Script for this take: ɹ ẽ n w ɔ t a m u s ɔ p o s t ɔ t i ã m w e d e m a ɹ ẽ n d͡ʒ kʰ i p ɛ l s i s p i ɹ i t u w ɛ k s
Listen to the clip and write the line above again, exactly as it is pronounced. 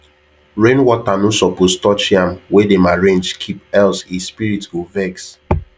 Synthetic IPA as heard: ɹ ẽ n w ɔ t a n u s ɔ p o s t ɔ t͡ʃ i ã m w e d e m a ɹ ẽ n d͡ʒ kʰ i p ɛ l s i s p i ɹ i t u v ɛ k s

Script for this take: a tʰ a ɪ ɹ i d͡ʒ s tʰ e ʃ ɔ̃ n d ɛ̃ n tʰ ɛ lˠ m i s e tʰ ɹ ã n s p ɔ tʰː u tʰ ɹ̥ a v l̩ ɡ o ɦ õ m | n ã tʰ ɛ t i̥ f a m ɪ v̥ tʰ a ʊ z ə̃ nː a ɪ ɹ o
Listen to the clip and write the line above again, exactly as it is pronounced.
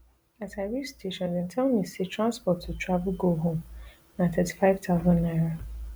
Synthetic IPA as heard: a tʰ a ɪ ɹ i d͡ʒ s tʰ e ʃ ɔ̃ n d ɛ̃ n tʰ ɛ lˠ m i s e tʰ ɹ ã n s p ɔ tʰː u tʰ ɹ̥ a v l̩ ɡ o ɦ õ m | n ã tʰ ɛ t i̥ f a ɪ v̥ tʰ a ʊ z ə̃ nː a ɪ ɹ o

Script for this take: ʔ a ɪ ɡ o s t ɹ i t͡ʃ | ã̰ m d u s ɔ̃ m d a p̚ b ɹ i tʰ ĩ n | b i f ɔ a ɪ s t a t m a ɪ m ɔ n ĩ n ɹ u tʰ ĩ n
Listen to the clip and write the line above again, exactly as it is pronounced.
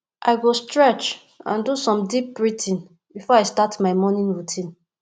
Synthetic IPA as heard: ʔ a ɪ ɡ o s t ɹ ɛ t͡ʃ | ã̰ n d u s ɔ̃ m d i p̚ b ɹ i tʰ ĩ n | b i f ɔ a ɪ s t a t m a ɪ m ɔ n ĩ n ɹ u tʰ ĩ n

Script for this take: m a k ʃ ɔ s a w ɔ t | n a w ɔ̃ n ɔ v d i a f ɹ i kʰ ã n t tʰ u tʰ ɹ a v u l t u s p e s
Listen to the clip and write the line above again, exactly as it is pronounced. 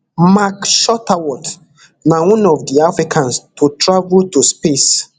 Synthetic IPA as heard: m a k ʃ ɔ t a w ɔ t | n a w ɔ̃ n ɔ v d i a f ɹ i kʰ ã n s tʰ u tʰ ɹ a v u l t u s p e s

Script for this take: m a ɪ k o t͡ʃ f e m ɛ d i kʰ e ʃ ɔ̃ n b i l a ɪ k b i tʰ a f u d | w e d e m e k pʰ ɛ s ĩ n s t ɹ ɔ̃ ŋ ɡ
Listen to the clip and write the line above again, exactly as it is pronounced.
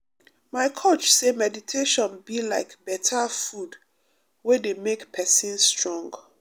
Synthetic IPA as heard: m a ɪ kʰ o t͡ʃ s e m ɛ d i tʰ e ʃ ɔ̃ n b i l a ɪ k b ɛ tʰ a f u d | w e d e m e k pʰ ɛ s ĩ n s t ɹ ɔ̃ ŋ ɡ

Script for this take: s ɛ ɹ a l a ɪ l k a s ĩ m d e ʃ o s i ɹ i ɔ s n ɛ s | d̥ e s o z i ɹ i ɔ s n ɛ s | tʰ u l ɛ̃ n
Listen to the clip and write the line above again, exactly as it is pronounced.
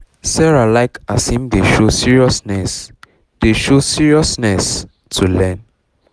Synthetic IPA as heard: s ɛ ɹ a l a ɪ k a s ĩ m d e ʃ o s i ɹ i ɔ s n ɛ s | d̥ e ʃ o s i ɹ i ɔ s n ɛ s | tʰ u l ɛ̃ n

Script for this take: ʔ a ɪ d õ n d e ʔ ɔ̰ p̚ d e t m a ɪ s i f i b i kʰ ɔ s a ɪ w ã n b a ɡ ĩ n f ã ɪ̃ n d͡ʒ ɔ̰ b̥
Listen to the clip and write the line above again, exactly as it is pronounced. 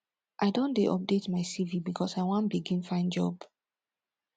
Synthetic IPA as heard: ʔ a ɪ d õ n d e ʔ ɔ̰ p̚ d e t m a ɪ s i v i b i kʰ ɔ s a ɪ w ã n b i ɡ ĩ n f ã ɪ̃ n d͡ʒ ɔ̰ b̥

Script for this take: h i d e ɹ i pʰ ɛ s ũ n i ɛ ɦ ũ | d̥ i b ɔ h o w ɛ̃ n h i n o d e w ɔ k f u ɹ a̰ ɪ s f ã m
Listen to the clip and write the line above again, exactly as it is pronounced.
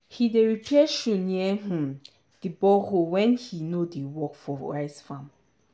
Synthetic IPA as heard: h i d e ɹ i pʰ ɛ ʃ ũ n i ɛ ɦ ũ | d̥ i b ɔ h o w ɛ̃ n h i n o d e w ɔ k f ɔ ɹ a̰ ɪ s f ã m

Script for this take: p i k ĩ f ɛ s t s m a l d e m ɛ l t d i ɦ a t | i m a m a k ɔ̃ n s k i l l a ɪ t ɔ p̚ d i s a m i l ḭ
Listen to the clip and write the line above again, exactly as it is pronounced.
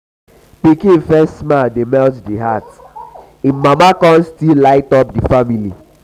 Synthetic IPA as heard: p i k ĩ f ɛ s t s m a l d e m ɛ l t d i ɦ a t | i m a m a k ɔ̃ n s t i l l a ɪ t ɔ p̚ d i f a m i l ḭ

